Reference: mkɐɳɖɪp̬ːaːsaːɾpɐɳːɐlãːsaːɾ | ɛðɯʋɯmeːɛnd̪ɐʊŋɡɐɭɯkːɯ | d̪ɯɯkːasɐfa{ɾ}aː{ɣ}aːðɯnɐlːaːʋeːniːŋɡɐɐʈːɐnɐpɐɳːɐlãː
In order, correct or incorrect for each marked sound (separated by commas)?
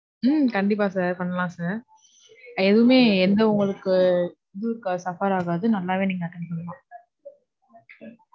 correct, correct